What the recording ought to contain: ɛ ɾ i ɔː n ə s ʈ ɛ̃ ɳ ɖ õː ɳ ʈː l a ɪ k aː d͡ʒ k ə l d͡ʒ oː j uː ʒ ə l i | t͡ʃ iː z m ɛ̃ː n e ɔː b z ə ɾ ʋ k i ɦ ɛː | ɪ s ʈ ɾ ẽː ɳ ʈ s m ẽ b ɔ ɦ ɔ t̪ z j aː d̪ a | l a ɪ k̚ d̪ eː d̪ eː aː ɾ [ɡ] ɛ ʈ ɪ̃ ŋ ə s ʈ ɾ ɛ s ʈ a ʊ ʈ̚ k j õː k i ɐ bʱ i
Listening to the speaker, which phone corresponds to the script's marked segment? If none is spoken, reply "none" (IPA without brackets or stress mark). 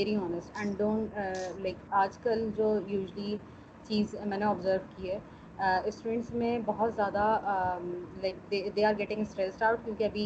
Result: ɡ